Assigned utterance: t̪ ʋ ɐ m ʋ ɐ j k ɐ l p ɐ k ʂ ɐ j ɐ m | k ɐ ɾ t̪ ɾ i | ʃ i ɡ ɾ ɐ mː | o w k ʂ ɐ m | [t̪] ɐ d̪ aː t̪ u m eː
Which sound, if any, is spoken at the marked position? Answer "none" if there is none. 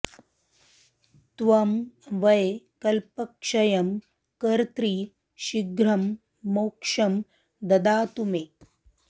d̪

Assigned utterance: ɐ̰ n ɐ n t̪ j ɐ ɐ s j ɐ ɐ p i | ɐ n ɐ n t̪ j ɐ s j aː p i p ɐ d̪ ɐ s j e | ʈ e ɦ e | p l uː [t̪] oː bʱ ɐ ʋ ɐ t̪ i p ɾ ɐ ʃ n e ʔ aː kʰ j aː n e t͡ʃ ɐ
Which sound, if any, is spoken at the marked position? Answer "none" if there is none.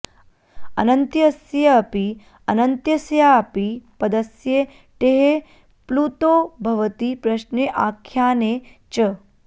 t̪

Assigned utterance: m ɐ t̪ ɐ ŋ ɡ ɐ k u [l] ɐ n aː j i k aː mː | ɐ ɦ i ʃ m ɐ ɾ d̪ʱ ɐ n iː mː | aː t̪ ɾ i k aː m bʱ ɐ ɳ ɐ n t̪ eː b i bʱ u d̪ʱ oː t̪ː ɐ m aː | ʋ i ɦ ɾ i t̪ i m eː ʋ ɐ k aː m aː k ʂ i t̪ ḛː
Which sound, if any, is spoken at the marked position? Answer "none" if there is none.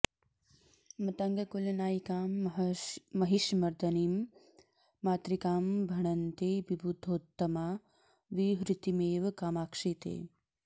l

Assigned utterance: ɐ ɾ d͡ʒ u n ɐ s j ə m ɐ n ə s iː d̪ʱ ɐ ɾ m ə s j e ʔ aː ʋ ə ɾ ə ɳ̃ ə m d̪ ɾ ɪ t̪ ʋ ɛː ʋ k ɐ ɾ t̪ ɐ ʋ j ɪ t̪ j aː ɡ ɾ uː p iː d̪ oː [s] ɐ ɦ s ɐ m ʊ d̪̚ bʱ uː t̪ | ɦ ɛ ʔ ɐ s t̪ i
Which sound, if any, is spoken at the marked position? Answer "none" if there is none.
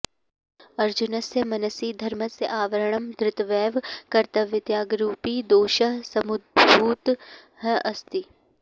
ʃ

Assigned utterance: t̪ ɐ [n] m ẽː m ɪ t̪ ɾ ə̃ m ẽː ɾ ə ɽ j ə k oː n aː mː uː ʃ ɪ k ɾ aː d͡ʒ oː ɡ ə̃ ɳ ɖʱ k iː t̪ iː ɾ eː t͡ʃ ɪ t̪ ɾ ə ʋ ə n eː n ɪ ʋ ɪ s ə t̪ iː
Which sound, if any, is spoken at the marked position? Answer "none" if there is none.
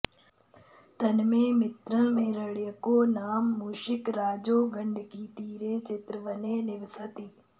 n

